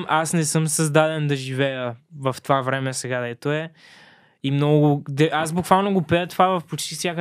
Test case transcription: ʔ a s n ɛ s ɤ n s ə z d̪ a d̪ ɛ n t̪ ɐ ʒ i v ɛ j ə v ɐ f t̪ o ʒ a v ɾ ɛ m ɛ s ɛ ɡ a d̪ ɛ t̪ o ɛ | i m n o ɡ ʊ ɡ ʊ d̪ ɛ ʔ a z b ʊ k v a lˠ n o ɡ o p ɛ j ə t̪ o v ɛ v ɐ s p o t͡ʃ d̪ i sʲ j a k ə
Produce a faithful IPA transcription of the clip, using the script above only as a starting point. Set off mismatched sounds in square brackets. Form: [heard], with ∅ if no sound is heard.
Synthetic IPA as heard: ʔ a s n ɛ s ɤ [m] s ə z d̪ a d̪ ɛ n [d̪] ɐ ʒ i v ɛ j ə v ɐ f t̪ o [v] a v ɾ ɛ m ɛ s ɛ ɡ a d̪ ɛ t̪ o ɛ | i m n [ɔ] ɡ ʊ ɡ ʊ d̪ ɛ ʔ a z b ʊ k v a lˠ n o ɡ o p ɛ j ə t̪ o v [a] v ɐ [f] p o t͡ʃ [t̪] i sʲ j a k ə